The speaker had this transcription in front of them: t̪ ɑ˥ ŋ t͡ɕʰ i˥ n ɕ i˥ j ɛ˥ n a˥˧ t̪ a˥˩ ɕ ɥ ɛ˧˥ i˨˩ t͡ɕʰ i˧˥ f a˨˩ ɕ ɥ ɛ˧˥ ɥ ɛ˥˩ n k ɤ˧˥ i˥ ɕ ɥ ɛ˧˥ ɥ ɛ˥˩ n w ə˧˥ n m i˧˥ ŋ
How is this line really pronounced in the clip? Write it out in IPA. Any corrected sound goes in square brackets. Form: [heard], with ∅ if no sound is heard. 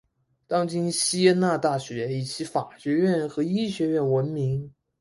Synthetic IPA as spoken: t̪ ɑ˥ ŋ [t͡ɕ] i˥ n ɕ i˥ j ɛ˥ n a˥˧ t̪ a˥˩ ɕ ɥ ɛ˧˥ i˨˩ t͡ɕʰ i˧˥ f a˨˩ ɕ ɥ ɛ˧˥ ɥ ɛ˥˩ n [x] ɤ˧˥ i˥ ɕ ɥ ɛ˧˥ ɥ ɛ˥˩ n w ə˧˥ n m i˧˥ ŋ